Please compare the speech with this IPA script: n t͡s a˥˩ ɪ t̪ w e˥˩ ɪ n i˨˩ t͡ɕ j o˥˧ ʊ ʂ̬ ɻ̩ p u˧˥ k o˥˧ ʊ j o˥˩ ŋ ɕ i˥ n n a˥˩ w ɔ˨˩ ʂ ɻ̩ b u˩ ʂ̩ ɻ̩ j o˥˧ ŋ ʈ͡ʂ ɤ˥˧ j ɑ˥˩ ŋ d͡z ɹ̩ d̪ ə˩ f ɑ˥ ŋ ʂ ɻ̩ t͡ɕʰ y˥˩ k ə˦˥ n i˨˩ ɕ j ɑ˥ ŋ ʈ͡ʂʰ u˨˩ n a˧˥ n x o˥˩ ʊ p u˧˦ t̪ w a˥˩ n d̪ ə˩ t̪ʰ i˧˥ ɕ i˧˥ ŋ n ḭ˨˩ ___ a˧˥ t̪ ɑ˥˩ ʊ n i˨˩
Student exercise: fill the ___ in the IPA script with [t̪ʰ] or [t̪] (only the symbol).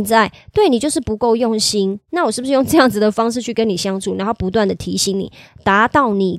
t̪